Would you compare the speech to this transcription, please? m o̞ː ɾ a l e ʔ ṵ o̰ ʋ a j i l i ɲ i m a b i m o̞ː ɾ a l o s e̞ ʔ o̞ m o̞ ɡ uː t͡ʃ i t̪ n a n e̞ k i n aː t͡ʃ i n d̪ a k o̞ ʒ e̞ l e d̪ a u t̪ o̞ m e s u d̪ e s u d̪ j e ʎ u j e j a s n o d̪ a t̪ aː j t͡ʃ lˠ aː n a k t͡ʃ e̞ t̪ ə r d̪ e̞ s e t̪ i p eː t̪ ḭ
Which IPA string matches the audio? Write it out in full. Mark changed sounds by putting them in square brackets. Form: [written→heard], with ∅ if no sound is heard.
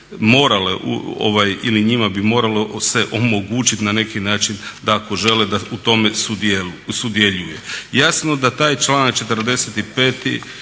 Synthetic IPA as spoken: m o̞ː ɾ a l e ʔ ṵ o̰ ʋ a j i l i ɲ i m a b i m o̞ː ɾ a l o s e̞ ʔ o̞ m o̞ ɡ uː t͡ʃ i t̪ n a n e̞ k i n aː t͡ʃ i n d̪ a k o̞ ʒ e̞ l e d̪ a u t̪ o̞ m e s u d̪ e s u d̪ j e ʎ u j e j a s n o d̪ a t̪ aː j t͡ʃ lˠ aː n a k t͡ʃ e̞ t̪ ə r d̪ e̞ s e t̪ i p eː t̪ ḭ